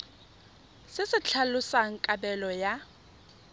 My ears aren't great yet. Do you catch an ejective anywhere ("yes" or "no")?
yes